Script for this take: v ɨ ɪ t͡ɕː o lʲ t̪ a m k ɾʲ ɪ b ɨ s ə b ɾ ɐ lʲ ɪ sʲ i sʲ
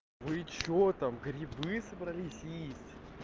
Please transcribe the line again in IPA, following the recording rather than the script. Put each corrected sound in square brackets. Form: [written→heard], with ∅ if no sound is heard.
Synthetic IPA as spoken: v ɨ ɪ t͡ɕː o [lʲ→∅] t̪ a m [k→ɡ] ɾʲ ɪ b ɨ s ə b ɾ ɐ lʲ [ɪ→i] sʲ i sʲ